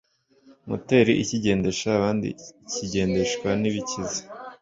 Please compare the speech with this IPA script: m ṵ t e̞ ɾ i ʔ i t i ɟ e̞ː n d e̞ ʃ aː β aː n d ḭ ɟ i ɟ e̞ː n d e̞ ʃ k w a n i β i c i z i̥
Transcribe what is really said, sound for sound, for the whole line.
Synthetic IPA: m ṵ t e̞ ɾ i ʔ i c i ɟ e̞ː n d e̞ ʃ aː β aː n d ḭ c i ɟ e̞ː n d e̞ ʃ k w a n i β i c i z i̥